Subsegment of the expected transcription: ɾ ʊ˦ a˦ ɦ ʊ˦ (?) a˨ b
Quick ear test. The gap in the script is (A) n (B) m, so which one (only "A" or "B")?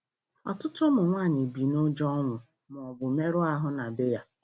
A